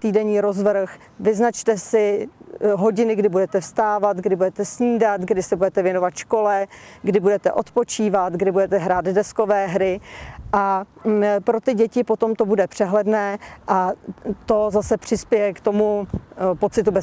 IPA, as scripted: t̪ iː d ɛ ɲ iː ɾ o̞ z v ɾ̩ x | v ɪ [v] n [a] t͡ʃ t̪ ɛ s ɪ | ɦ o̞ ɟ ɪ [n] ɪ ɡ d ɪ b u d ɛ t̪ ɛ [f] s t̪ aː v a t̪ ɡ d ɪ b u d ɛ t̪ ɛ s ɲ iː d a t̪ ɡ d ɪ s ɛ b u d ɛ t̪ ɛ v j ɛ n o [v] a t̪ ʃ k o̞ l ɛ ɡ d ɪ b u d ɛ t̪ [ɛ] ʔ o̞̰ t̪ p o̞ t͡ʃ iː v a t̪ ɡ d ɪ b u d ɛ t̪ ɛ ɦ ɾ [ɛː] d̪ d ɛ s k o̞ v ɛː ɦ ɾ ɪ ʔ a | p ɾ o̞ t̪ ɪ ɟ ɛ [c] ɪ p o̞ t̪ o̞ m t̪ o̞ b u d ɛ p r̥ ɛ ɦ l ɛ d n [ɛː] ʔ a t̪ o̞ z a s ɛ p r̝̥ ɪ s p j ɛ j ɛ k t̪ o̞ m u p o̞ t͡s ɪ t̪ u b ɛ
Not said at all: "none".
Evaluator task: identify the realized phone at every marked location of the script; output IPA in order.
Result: z, a, n, f, v, ɛ, aː, c, ɛː

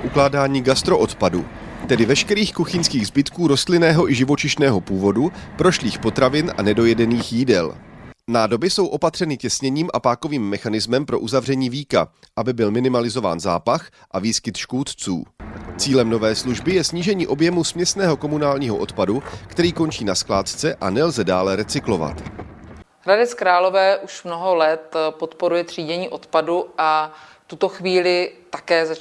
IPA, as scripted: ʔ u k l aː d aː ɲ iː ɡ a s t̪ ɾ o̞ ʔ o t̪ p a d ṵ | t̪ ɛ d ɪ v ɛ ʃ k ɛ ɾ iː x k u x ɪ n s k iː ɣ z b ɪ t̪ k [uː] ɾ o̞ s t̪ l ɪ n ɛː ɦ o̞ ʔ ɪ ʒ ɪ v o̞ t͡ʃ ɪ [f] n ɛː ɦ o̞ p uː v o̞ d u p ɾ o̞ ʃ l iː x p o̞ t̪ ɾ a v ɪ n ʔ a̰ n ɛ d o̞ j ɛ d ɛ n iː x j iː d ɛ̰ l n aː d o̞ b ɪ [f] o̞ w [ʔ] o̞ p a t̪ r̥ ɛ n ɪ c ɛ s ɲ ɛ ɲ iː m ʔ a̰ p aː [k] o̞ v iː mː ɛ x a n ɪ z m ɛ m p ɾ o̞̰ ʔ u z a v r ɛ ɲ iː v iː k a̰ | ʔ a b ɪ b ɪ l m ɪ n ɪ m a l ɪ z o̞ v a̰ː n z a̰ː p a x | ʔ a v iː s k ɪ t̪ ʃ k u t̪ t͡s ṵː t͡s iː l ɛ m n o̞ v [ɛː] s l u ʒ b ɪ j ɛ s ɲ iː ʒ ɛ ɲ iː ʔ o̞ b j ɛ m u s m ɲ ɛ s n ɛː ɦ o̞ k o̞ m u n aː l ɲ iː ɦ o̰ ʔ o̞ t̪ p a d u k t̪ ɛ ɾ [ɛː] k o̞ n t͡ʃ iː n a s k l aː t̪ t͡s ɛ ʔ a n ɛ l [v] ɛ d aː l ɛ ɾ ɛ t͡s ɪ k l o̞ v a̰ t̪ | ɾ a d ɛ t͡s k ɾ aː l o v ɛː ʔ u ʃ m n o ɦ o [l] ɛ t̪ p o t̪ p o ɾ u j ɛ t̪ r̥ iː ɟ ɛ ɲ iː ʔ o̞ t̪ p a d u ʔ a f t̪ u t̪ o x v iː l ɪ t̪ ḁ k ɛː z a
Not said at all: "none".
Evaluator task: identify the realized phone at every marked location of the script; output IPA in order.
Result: uː, ʃ, s, ʔ, k, ɛː, iː, z, l

